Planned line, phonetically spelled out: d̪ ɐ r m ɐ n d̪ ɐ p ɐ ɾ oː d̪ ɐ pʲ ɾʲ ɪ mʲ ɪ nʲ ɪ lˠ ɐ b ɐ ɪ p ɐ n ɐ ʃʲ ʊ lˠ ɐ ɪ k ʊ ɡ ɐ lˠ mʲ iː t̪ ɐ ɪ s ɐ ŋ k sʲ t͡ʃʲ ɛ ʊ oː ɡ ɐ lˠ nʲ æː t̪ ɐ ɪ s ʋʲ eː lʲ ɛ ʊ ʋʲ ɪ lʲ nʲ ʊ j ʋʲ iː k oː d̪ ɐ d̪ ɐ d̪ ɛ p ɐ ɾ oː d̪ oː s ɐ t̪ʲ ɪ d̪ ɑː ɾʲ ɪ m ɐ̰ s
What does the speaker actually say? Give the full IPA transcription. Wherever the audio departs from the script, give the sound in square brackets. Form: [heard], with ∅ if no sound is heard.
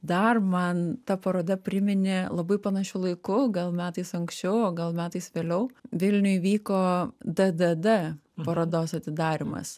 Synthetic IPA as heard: d̪ ɐ r m ɐ n [t̪] ɐ p ɐ ɾ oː d̪ ɐ pʲ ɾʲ ɪ mʲ ɪ nʲ ɪ lˠ ɐ b ɐ ɪ p ɐ n ɐ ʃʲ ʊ lˠ ɐ ɪ k ʊ ɡ ɐ lˠ mʲ [æː] t̪ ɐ ɪ s ɐ ŋ k sʲ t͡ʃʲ ɛ ʊ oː ɡ ɐ lˠ [mʲ] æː t̪ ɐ ɪ s ʋʲ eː lʲ ɛ ʊ ʋʲ ɪ lʲ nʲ ʊ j ʋʲ iː k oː d̪ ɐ d̪ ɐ d̪ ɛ p ɐ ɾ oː d̪ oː s ɐ t̪ʲ ɪ d̪ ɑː ɾʲ ɪ m ɐ̰ s